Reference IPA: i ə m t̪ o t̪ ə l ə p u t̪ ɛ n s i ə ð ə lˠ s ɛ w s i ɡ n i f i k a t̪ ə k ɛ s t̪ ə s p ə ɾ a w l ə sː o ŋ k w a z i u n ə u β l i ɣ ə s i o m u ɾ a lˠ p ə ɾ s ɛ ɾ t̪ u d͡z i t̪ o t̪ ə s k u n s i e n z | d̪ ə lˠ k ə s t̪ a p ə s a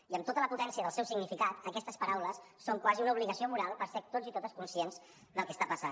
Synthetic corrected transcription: i ə m t̪ o t̪ ə l ə p u t̪ ɛ n s i ə ð ə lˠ s ɛ w s i ɡ n i f i k a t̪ ə k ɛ s t̪ ə s p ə ɾ a w l ə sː o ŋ k w a z i u n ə u β l i ɣ ə s i o m u ɾ a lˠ p ə ɾ s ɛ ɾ t̪ o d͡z i t̪ o t̪ ə s k u n s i e n z | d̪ ə lˠ k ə s t̪ a p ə s a